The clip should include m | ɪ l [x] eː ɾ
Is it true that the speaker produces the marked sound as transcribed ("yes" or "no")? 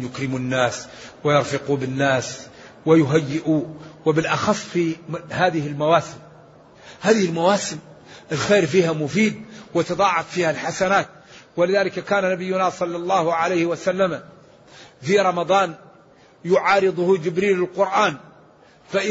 yes